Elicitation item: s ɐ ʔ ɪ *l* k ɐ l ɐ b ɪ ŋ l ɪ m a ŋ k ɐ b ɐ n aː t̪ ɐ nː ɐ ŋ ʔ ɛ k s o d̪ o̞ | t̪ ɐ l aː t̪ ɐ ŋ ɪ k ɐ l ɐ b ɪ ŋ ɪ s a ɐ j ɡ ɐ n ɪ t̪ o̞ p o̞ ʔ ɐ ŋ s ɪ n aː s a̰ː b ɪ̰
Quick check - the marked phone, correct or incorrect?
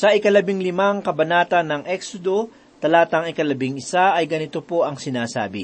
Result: incorrect